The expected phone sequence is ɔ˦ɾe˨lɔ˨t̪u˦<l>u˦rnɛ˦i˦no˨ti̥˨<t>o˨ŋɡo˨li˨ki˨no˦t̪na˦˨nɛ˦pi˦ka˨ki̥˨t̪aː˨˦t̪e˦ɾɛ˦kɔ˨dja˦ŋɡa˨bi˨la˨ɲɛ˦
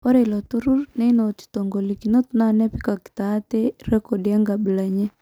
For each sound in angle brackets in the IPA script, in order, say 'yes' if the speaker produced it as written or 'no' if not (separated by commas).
no, yes